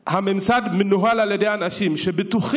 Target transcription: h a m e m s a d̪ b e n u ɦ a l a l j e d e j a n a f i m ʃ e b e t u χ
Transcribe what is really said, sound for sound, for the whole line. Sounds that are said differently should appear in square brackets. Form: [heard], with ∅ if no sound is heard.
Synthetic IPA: h a m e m s a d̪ [m] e n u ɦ a l a l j e d e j a n a [ʃ] i m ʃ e b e t u χ